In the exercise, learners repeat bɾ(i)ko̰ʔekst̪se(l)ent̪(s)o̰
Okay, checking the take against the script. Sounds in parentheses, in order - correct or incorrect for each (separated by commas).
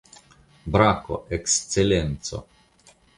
incorrect, correct, correct